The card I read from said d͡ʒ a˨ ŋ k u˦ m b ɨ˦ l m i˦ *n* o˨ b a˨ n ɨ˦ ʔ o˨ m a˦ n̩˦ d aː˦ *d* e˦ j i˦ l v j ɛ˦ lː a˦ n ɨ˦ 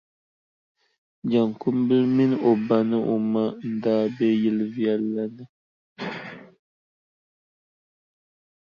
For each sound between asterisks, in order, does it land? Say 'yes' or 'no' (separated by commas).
yes, no